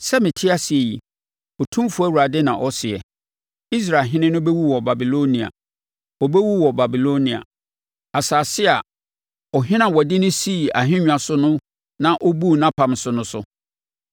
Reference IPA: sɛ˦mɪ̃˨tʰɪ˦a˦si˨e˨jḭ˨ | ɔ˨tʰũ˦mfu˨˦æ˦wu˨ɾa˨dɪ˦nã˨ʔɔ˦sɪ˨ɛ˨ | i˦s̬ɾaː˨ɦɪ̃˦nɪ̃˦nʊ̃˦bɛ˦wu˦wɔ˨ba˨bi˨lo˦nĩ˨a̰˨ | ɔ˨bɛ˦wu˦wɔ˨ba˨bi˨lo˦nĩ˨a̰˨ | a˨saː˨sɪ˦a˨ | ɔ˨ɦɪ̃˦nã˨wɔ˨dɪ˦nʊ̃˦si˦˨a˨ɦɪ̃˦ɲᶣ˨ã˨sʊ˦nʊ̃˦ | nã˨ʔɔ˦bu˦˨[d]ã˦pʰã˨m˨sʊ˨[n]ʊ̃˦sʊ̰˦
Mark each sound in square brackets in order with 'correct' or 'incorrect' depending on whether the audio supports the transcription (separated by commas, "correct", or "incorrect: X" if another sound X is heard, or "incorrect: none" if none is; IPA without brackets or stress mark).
incorrect: n, correct